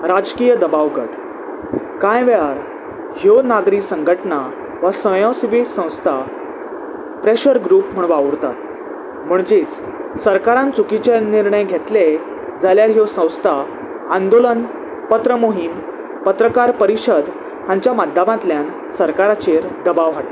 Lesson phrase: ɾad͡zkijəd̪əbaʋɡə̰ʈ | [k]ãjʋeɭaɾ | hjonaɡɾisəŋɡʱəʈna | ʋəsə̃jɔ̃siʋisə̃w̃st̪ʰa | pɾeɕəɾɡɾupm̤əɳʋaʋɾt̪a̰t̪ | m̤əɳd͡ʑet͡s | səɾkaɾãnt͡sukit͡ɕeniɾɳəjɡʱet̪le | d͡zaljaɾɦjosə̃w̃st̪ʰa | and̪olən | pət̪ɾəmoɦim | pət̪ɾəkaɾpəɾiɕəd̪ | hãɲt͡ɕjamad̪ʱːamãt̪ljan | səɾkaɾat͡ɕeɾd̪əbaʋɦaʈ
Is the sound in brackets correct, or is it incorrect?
correct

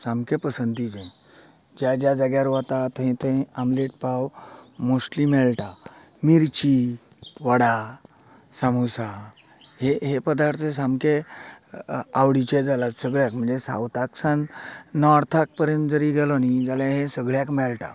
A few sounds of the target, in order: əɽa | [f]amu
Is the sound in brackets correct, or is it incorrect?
incorrect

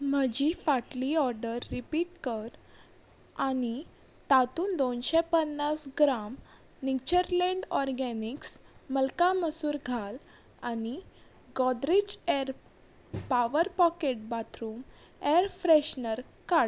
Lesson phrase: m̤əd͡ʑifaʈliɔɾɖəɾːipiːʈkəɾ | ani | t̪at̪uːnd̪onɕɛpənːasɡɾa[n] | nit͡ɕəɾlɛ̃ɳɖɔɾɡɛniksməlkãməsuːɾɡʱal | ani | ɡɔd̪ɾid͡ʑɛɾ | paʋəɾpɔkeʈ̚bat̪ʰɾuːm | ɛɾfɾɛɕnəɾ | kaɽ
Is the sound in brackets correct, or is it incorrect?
incorrect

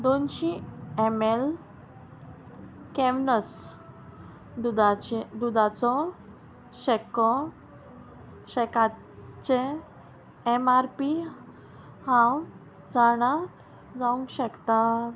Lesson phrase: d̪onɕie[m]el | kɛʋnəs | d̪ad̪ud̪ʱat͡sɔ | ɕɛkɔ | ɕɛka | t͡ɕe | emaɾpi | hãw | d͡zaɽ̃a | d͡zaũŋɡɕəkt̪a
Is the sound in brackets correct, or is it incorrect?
correct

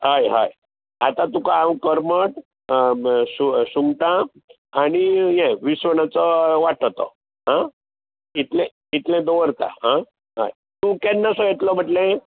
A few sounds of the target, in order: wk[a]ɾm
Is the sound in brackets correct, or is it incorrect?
incorrect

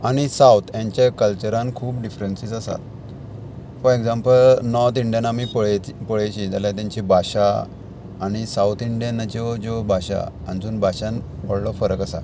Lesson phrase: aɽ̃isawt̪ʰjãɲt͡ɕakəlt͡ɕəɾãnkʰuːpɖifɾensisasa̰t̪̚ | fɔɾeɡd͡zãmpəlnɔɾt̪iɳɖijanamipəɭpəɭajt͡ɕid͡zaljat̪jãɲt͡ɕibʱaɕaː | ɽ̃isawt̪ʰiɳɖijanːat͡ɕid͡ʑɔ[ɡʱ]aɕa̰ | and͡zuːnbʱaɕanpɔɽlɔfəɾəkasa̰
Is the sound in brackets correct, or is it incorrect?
incorrect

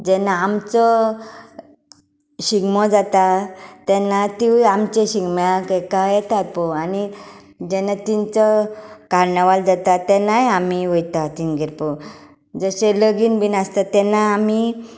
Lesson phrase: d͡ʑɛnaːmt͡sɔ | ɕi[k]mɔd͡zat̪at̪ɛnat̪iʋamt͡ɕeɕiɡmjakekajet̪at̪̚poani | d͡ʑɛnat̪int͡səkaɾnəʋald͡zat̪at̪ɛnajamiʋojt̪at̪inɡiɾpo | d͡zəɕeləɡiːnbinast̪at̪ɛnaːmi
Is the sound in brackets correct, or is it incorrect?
incorrect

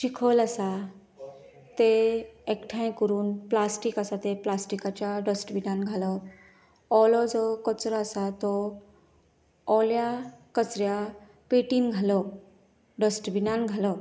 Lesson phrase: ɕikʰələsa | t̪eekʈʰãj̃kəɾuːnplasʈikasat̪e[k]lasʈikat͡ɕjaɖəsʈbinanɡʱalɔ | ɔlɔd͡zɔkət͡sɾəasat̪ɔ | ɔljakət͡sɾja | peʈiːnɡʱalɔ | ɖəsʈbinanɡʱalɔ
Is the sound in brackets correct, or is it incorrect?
incorrect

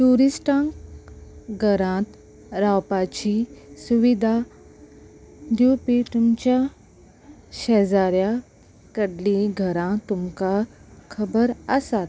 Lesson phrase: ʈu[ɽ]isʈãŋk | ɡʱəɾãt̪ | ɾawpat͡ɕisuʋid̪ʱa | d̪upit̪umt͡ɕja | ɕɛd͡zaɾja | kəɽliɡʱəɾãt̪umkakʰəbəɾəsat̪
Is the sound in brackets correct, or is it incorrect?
incorrect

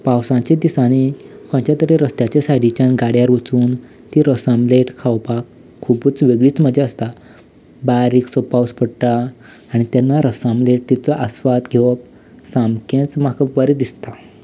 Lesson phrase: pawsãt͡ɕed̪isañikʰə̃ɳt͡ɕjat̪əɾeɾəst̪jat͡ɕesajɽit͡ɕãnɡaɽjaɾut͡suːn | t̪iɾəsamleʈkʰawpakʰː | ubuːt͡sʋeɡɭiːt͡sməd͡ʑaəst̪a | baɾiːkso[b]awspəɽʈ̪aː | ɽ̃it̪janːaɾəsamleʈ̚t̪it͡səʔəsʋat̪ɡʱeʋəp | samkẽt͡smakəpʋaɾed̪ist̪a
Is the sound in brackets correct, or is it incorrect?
incorrect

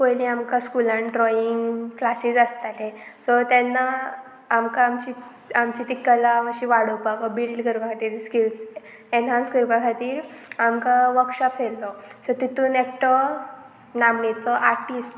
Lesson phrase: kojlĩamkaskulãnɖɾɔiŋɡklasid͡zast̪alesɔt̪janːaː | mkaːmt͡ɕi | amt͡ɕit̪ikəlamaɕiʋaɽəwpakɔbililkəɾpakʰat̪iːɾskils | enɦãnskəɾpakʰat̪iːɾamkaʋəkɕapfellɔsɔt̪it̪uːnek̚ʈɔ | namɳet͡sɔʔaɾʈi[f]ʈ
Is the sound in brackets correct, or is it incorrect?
incorrect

